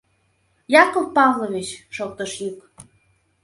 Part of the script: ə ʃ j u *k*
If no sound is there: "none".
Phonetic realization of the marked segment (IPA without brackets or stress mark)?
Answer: k